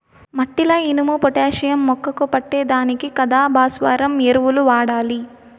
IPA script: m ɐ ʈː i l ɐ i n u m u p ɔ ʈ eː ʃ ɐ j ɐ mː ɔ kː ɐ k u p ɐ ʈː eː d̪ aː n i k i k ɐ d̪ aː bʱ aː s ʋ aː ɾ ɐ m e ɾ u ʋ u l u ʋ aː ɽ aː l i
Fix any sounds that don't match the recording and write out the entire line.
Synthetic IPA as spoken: m ɐ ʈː i l ɐ i n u m u p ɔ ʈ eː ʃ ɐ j ɐ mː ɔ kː ɐ k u p ɐ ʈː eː d̪ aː n i k i k ɐ d̪ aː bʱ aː s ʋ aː ɾ ɐ m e ɾ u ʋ u l u ʋ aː ɽ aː l i